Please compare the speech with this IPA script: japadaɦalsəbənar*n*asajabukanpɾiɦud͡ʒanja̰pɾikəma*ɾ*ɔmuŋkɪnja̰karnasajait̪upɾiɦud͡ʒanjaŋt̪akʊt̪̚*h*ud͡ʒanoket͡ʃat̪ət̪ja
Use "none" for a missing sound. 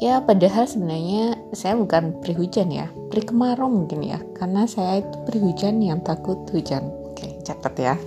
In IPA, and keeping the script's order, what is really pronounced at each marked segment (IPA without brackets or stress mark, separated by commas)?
ɲ, ɾ, h